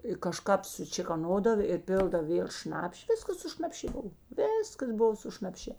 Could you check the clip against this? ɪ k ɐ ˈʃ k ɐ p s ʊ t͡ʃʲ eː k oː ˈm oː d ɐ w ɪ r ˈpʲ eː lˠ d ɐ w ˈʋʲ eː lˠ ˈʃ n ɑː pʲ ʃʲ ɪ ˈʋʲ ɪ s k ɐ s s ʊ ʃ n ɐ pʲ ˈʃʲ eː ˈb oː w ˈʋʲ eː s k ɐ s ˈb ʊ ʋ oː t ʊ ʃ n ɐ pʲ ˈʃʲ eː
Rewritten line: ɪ k ɐ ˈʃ k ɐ p s ʊ t͡ʃʲ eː k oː ˈn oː d ɐ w ɪ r ˈpʲ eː lˠ d ɐ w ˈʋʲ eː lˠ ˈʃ n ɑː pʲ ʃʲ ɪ ˈʋʲ ɪ s k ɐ s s ʊ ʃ n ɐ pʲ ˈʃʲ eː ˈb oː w ˈʋʲ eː s k ɐ s ˈb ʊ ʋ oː s ʊ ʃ n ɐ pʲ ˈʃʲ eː